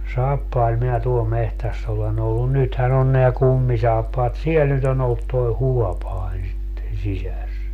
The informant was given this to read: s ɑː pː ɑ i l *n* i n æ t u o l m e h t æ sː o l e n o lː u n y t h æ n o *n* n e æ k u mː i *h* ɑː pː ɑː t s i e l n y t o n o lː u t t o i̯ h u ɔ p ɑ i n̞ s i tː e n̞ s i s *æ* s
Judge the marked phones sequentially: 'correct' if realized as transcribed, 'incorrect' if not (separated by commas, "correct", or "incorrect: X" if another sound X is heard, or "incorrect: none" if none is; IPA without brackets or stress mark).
incorrect: m, correct, incorrect: s, correct